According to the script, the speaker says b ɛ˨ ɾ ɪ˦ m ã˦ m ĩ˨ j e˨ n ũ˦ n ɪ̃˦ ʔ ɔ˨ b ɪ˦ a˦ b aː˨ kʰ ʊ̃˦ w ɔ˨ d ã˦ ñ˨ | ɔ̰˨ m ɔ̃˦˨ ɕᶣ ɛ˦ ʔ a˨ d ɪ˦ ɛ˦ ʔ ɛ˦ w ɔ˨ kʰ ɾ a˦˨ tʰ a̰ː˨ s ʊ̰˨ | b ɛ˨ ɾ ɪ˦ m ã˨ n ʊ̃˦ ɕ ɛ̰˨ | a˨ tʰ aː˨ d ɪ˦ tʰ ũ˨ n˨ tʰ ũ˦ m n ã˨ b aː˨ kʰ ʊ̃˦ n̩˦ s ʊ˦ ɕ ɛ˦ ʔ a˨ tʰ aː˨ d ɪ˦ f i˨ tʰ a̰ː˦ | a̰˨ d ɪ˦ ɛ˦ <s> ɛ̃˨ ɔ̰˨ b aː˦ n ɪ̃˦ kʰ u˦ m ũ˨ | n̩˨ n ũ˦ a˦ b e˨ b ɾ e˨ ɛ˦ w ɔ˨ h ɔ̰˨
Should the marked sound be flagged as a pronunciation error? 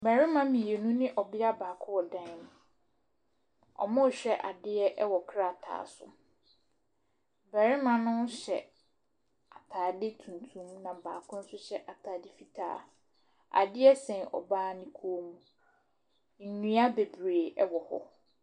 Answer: no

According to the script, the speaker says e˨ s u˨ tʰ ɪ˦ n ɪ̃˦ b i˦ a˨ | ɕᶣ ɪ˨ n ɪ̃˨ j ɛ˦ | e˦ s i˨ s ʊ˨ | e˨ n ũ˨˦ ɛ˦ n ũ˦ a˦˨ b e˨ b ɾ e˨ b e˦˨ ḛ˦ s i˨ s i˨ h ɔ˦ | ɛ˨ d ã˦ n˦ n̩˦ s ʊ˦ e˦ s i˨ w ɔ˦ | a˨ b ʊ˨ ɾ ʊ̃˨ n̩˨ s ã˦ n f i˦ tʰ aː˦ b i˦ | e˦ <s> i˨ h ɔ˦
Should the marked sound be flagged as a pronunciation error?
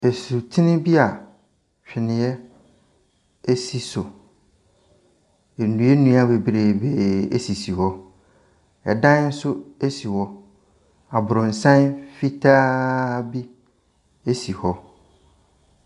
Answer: no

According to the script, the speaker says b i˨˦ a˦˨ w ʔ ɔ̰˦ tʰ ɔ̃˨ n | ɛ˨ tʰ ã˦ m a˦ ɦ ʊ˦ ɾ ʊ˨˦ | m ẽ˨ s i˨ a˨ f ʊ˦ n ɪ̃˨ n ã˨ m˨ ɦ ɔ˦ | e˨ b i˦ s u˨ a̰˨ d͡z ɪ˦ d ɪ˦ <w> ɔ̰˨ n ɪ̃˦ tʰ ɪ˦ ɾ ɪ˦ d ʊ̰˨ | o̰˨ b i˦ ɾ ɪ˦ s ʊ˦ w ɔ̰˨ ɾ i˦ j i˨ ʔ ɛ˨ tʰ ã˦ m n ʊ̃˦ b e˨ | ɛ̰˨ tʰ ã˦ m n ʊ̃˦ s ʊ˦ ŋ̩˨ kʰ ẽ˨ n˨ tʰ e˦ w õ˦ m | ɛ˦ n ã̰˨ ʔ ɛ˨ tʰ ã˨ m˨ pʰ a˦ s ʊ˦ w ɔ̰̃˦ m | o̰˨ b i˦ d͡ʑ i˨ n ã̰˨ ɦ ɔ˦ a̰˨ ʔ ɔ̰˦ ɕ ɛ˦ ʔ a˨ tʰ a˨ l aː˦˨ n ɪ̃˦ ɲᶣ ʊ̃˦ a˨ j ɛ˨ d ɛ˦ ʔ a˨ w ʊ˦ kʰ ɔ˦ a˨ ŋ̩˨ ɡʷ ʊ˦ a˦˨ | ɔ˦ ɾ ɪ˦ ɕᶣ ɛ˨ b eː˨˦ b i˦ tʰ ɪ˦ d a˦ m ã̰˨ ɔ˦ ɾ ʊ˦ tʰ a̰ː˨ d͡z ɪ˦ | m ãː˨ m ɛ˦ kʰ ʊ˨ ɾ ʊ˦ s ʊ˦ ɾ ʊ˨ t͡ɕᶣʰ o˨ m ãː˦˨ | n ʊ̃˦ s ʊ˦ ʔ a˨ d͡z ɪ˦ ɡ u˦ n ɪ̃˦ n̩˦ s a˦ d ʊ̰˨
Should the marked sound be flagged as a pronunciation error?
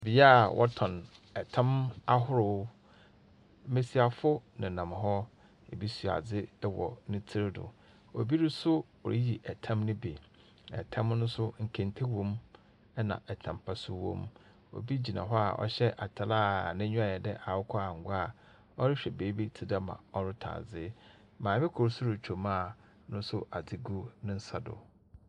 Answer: no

